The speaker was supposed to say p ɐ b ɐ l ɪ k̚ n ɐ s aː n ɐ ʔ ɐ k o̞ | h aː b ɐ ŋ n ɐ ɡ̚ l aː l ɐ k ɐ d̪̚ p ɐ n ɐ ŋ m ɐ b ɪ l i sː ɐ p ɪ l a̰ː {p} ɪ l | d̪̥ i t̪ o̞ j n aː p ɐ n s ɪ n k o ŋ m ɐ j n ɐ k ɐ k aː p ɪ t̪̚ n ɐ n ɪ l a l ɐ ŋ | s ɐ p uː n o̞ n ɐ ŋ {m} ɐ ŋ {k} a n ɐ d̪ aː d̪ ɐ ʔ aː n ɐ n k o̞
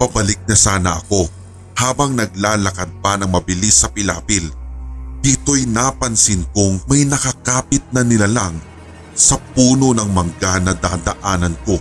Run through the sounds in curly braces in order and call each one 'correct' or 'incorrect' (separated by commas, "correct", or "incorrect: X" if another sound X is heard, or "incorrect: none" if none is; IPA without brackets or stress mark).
correct, correct, incorrect: ɡ